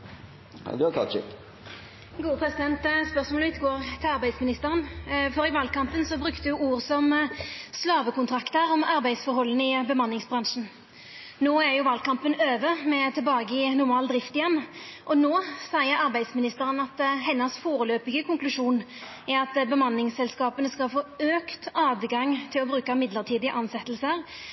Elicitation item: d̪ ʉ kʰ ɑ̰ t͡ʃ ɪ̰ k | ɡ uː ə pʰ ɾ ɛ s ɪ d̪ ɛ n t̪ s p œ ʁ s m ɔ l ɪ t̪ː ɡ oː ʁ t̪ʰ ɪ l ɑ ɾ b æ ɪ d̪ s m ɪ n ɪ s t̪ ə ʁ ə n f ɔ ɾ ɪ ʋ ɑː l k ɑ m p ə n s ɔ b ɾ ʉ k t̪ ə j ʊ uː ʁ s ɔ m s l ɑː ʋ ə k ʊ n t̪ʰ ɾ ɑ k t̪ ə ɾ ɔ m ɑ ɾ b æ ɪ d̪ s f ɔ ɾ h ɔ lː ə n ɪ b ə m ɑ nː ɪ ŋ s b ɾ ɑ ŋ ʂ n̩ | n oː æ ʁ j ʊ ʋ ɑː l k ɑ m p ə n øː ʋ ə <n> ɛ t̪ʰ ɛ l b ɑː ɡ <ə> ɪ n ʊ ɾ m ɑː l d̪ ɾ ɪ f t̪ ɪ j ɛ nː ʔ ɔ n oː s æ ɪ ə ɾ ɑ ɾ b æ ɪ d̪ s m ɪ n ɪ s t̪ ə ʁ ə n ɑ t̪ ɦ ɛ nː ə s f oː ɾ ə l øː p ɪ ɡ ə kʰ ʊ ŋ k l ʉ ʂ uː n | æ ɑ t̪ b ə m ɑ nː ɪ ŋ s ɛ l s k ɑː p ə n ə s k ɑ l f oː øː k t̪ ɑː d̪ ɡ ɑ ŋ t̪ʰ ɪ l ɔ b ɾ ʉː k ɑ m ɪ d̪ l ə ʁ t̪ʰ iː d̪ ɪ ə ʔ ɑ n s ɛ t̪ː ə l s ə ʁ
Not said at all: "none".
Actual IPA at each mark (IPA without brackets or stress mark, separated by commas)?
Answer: m, ə